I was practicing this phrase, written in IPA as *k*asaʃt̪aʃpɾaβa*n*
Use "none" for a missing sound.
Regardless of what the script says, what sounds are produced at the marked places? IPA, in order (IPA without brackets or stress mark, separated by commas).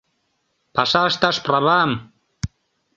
p, m